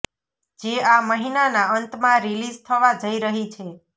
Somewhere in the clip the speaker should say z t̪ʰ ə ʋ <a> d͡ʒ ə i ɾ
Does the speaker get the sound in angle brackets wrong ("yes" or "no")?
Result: no